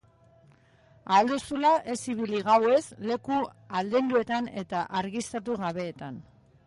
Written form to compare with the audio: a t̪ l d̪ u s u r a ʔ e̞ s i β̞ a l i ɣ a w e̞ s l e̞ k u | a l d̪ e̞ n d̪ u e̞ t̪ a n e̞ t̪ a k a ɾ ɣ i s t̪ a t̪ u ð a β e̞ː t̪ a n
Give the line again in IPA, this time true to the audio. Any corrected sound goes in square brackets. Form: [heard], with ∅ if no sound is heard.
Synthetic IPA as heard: a [∅] l d̪ u s u [l] a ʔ e̞ s i β̞ [i] l i ɣ a w e̞ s l e̞ k u | a l d̪ e̞ n d̪ u e̞ t̪ a n e̞ t̪ a [ʔ] a ɾ ɣ i s t̪ a t̪ u [ɣ] a β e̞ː t̪ a n